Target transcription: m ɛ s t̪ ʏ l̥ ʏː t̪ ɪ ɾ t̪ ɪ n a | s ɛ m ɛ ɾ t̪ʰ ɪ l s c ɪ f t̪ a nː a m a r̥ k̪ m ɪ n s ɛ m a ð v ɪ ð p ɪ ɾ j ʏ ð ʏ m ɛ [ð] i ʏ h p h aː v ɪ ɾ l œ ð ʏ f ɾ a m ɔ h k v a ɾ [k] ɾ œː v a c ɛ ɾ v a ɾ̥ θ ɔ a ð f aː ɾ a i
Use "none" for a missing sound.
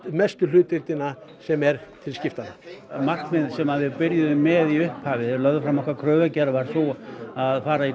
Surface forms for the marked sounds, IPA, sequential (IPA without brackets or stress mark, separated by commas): ð, kʰ